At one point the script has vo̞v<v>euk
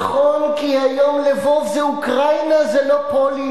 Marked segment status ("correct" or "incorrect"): incorrect